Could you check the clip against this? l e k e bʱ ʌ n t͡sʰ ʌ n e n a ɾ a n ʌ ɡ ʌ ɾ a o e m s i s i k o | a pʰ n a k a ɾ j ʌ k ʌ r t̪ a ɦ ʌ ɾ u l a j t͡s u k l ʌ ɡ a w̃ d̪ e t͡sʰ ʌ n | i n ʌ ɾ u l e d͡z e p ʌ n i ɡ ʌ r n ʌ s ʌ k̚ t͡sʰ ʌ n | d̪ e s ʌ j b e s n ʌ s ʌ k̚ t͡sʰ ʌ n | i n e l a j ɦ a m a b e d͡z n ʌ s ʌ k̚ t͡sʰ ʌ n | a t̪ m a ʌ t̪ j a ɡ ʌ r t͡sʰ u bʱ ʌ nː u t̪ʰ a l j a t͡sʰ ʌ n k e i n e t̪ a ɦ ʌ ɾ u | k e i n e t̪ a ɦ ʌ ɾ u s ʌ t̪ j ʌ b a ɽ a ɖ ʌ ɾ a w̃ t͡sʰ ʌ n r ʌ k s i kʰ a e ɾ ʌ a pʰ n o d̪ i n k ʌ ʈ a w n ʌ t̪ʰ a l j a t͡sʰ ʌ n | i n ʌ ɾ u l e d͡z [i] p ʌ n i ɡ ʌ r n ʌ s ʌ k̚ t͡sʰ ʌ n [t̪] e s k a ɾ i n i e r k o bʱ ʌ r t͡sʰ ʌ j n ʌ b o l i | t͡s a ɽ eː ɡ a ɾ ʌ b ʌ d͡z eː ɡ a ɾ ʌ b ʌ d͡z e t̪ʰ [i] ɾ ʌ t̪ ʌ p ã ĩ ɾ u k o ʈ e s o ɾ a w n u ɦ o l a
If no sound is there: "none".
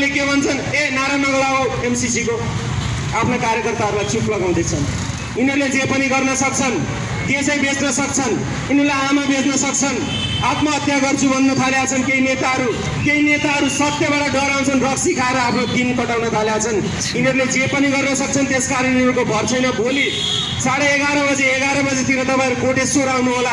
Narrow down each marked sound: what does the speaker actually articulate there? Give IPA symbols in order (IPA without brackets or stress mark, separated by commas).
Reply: e, t̪, i